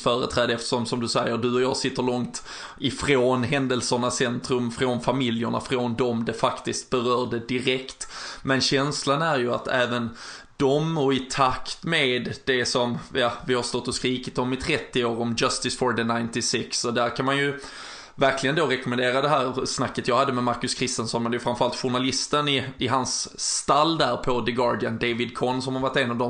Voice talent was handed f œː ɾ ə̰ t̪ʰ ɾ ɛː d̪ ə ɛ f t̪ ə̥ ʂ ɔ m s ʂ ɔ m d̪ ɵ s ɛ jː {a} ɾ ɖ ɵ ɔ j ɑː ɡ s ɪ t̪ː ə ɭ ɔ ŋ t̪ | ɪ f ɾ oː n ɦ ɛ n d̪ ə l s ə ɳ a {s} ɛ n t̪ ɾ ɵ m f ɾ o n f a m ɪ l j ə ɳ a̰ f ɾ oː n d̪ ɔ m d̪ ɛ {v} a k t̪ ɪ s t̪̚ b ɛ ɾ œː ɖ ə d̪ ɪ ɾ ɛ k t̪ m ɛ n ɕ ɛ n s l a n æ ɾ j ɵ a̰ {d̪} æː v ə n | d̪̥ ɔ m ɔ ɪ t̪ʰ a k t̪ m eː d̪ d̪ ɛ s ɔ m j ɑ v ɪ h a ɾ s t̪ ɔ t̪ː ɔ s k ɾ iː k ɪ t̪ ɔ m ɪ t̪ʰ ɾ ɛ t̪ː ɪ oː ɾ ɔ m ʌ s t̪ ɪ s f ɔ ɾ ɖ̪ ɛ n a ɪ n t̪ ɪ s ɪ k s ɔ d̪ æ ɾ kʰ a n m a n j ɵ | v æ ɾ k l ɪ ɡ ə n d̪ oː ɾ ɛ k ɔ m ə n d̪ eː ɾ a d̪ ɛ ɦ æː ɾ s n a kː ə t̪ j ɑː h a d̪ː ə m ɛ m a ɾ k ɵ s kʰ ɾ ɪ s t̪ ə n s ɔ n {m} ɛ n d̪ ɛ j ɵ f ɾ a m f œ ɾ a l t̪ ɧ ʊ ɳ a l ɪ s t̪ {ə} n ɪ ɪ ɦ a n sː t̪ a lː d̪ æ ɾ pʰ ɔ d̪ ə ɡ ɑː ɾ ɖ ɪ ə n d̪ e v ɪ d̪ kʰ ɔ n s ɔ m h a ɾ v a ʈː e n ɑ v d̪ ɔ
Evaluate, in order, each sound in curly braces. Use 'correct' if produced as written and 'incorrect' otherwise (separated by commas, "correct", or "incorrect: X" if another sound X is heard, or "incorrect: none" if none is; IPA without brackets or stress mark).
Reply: incorrect: ə, correct, incorrect: f, incorrect: t̪, correct, correct